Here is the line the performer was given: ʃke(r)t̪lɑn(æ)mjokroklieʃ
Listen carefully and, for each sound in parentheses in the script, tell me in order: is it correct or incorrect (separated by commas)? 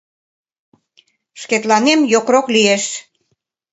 incorrect, incorrect